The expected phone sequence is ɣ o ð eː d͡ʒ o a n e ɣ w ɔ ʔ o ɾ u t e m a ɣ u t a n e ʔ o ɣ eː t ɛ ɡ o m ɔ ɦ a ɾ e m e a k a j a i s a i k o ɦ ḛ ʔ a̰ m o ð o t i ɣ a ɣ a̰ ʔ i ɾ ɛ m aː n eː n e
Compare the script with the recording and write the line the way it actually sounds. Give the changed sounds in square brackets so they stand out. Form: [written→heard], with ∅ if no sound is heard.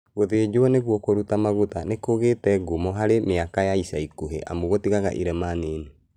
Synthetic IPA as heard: ɣ o ð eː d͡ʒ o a n e ɣ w ɔ [ʔ→k] o ɾ u t [e→a] m a ɣ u t a n e [ʔ→k] o ɣ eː t ɛ ɡ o m ɔ ɦ a ɾ e m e a k a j a i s a i k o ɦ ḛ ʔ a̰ m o [ð→ɣ] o t i ɣ a ɣ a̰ ʔ i ɾ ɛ m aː n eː n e

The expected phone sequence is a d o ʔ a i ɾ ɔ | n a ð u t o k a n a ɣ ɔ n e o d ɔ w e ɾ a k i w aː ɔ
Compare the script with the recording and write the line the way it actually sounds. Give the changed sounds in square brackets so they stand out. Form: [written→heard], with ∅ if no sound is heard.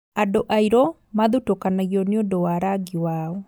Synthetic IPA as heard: a d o ʔ a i ɾ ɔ | [n→m] a ð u t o k a n a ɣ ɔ n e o d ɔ w [e→a] ɾ a [k→ɡ] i w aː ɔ

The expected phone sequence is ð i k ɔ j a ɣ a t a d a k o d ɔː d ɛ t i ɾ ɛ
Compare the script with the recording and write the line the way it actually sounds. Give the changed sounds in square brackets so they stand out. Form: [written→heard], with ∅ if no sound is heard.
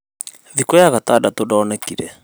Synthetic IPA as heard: ð i k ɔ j a ɣ a t a d a [k→t] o d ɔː [d→n] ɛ [t→k] i ɾ ɛ

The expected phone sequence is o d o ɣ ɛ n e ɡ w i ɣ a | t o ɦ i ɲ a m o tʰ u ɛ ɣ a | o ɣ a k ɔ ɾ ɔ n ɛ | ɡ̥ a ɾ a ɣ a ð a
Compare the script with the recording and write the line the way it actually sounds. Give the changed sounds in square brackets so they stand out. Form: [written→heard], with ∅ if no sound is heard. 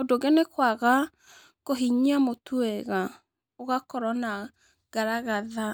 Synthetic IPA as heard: o d o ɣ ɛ n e [ɡ→k] w [i→a] ɣ a | [t→k] o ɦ i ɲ a m o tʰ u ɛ ɣ a | o ɣ a k ɔ ɾ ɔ n [ɛ→a] | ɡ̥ a ɾ a ɣ a ð a

